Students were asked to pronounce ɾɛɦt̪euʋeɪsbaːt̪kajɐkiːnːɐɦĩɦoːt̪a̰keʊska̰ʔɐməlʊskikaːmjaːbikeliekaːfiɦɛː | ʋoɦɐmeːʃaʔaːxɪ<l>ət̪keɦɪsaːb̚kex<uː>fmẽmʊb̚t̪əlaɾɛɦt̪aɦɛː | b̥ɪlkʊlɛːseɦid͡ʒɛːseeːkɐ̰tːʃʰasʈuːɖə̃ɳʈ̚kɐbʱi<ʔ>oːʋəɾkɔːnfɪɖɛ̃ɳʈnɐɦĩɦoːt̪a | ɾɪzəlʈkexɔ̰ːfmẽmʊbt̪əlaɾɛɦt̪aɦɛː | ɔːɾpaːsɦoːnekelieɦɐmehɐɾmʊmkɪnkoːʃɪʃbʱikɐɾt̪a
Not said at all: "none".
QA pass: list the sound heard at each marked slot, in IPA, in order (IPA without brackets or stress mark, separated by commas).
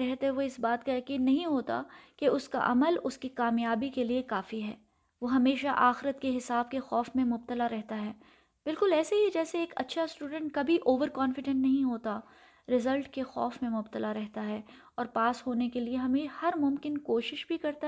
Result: ɾ, ɔː, ʔ